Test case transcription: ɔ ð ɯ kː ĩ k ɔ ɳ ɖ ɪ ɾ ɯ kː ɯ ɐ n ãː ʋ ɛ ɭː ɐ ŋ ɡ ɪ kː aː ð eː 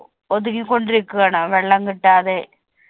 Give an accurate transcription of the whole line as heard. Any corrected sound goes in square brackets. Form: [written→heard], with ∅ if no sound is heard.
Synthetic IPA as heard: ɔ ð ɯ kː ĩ k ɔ ɳ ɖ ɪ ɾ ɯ kː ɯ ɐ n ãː ʋ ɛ ɭː ɐ ŋ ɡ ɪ [kː→ʈː] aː ð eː